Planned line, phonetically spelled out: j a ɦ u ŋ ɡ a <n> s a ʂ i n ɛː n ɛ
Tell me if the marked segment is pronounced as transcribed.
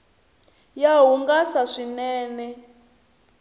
no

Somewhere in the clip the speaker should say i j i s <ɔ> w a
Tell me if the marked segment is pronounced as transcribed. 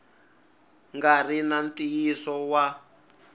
yes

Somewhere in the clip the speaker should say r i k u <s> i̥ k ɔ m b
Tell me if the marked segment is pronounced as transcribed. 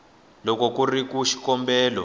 no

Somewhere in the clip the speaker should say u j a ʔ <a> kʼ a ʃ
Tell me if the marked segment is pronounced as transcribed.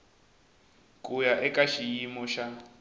no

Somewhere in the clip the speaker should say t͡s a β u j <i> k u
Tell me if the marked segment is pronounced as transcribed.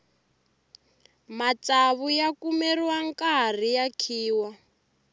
no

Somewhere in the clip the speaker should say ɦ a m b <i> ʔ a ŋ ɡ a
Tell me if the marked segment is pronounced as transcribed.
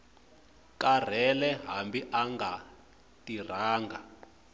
yes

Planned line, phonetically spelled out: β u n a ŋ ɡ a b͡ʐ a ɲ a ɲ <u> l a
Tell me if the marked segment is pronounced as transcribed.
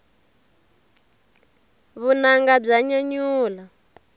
no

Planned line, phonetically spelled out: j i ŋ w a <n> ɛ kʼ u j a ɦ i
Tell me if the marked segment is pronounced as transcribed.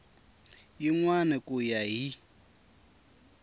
yes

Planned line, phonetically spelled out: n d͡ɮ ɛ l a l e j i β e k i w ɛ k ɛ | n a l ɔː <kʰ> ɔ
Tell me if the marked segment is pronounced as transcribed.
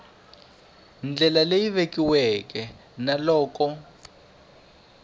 no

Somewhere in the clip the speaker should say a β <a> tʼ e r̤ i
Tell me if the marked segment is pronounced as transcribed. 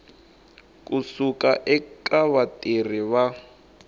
yes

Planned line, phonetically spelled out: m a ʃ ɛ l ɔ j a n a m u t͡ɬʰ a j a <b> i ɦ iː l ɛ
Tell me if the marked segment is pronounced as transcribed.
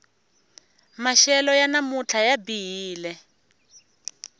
yes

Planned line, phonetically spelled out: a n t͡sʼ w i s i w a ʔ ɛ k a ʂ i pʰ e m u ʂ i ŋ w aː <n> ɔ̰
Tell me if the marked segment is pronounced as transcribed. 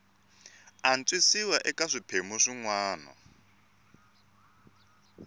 yes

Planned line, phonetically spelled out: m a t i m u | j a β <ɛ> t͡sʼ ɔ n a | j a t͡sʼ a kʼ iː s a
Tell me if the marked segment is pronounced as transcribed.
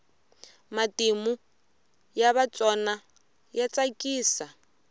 no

